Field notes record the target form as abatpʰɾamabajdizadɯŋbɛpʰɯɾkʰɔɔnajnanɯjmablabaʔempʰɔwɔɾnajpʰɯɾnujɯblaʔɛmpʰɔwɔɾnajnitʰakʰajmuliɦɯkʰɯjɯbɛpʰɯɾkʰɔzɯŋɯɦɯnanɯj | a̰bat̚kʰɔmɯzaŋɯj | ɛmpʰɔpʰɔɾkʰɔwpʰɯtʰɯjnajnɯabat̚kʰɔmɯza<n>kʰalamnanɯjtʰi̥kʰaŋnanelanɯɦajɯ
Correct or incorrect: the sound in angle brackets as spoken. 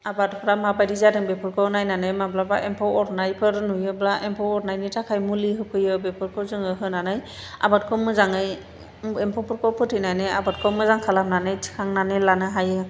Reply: incorrect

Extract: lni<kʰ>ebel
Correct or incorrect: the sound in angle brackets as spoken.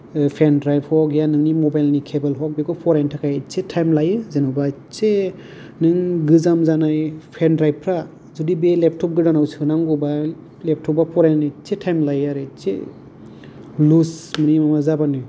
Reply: correct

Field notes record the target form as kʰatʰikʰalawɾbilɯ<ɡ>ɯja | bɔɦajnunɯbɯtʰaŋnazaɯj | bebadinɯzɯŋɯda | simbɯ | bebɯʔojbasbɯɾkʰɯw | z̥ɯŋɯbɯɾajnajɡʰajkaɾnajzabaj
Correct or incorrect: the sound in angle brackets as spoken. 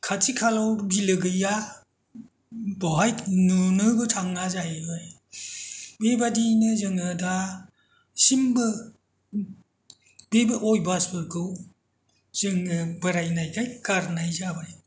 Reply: correct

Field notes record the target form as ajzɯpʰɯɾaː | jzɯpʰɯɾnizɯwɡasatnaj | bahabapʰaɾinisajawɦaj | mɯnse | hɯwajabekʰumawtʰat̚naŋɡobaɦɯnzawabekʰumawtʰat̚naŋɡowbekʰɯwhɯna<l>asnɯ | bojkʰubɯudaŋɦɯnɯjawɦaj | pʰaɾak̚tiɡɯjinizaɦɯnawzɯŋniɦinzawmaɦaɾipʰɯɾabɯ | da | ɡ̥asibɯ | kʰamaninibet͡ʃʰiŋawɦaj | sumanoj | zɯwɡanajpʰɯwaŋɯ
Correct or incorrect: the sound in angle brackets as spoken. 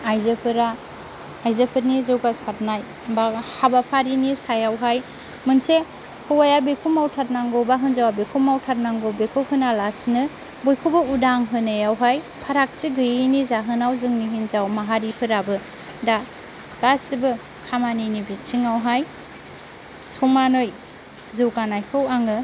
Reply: correct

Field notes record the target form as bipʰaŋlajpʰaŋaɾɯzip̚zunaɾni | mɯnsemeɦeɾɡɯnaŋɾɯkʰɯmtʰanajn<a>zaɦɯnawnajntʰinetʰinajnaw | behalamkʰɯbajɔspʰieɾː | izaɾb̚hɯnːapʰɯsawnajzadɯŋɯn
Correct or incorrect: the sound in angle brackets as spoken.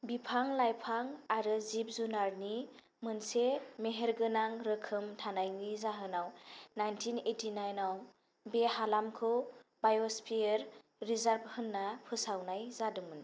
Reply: incorrect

